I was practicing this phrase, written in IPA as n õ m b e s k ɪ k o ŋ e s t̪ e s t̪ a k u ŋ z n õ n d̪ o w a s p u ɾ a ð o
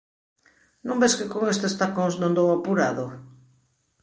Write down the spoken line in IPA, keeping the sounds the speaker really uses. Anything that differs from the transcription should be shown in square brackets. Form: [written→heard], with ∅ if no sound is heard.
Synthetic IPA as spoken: n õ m b e s k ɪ k o ŋ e s t̪ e s t̪ a k [u→o] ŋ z n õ n d̪ o w a [s→∅] p u ɾ a ð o